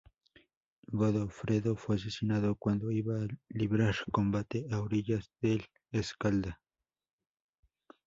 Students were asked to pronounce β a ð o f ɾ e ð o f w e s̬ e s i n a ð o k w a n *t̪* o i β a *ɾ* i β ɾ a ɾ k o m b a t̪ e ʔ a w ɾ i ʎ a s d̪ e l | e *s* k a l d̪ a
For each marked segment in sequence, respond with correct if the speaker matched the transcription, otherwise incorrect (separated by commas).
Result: incorrect, incorrect, correct